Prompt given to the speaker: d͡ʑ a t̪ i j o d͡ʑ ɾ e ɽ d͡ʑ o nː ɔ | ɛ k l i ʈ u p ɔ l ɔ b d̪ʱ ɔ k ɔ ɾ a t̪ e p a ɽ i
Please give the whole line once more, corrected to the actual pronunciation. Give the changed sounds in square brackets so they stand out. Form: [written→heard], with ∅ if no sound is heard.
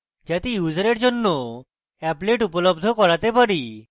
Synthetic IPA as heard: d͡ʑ a t̪ i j [o→u] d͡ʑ ɾ e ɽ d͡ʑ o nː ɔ | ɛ [k→p] l [i→e] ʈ u p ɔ l ɔ b d̪ʱ ɔ k ɔ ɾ a t̪ e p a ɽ i